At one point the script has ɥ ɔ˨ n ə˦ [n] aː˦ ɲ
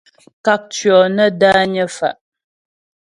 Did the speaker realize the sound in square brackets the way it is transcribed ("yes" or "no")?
no